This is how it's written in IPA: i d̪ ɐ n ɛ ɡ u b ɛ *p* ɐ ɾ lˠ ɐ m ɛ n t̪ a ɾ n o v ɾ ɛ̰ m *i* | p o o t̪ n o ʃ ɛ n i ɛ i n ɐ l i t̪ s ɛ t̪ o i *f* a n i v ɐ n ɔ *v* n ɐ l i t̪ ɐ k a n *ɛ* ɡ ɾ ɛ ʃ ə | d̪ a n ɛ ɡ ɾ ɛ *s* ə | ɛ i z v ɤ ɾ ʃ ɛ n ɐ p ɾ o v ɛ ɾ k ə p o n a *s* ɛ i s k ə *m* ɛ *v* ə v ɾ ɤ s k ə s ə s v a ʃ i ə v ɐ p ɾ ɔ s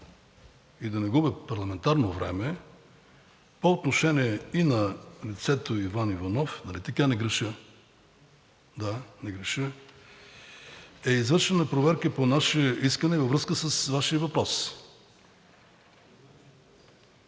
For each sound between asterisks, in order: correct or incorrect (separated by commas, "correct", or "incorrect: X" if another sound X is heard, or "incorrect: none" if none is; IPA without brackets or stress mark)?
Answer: correct, incorrect: ɛ, incorrect: v, incorrect: f, correct, incorrect: ʃ, incorrect: ʃ, incorrect: n, correct